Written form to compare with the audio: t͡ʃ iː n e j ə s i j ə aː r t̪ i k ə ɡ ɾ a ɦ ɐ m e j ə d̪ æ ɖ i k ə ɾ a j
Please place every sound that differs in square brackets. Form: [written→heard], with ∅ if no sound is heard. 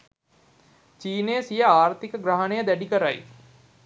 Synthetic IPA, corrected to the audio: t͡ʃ iː n e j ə s i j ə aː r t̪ i k ə ɡ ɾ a ɦ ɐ [m→n] e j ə d̪ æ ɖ i k ə ɾ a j